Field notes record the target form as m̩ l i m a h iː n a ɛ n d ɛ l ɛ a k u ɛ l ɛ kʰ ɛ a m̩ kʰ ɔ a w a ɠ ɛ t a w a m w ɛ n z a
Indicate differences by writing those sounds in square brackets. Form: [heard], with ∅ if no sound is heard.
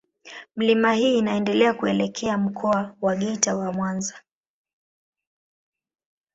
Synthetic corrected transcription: m̩ l i m a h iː n a ɛ n d ɛ l ɛ a k u ɛ l ɛ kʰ ɛ a m̩ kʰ ɔ a w a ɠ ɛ t a w a m w [a] n z a

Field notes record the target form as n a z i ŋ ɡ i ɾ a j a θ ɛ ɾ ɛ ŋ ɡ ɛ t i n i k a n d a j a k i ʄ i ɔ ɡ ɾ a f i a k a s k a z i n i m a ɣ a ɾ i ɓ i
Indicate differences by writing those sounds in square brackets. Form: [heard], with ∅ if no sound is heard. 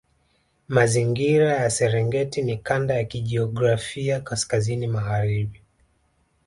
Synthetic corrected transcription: [m] a z i ŋ ɡ i ɾ a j a [s] ɛ ɾ ɛ ŋ ɡ ɛ t i n i k a n d a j a k i ʄ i ɔ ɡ ɾ a f i a k a s k a z i n i m a ɣ a ɾ i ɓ i

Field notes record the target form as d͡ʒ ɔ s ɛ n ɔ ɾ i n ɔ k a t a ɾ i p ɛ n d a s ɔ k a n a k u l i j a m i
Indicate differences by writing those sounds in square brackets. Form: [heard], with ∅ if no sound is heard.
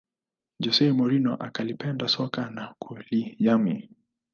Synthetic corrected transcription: d͡ʒ ɔ s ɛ [m] ɔ ɾ i n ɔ [ʔ] a [k] a [l] i p ɛ n d a s ɔ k a n a k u l i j a m i

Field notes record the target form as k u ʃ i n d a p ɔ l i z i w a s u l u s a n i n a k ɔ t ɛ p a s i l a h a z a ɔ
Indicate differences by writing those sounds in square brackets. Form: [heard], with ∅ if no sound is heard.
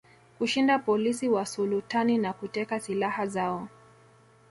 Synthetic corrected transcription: k u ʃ i n d a p ɔ l i [s] i w a s u l u [t] a n i n a k [u] t ɛ [k] a s i l a h a z a ɔ

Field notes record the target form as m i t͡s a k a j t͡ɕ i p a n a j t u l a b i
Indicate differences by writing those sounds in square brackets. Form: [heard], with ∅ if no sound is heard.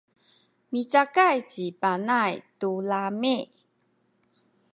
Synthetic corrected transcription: m i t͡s a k a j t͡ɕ i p a n a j t u l a [m] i

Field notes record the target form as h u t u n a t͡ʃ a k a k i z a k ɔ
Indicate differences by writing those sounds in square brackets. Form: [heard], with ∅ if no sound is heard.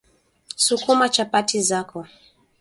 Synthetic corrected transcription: [s] u [k] u [m] a t͡ʃ a [p] a [t] i z a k ɔ

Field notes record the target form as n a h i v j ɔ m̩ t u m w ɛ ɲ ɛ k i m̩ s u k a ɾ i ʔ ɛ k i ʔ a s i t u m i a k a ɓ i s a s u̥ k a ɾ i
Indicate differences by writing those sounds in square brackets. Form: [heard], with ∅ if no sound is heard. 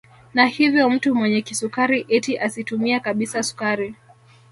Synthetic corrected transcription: n a h i v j ɔ m̩ t u m w ɛ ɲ ɛ k i [∅] s u k a ɾ i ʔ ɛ [t] i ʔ a s i t u m i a k a ɓ i s a s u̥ k a ɾ i

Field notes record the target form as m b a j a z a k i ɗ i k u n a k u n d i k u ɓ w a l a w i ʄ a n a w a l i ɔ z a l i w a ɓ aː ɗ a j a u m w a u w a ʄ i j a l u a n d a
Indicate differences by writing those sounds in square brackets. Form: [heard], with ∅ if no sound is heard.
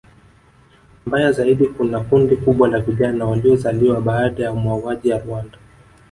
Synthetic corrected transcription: m b a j a z a [∅] i ɗ i k u n a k u n d i k u ɓ w a l a [v] i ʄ a n a w a l i ɔ z a l i w a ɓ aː ɗ a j a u m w a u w a ʄ i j a [ɾ] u a n d a

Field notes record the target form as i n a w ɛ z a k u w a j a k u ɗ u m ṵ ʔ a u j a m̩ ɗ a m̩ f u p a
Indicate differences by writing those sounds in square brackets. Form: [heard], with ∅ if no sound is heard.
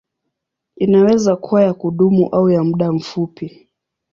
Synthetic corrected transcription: i n a w ɛ z a k u w a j a k u ɗ u m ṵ ʔ a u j a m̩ ɗ a m̩ f u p [i]

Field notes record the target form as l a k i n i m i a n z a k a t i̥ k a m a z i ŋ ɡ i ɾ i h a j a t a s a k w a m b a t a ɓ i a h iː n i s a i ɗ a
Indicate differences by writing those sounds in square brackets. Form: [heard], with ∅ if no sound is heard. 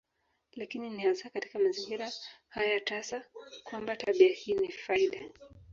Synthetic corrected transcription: l a k i n i [n] i a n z a k a t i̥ k a m a z i ŋ ɡ i ɾ [a] h a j a t a s a k w a m b a t a ɓ i a h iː n i [f] a i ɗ a

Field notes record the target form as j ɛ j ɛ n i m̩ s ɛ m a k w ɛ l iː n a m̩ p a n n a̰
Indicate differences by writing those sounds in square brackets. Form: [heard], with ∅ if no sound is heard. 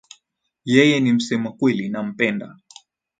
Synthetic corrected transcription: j ɛ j ɛ n i m̩ s ɛ m a k w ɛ l [i] n a m̩ p [ɛ] n [d] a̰

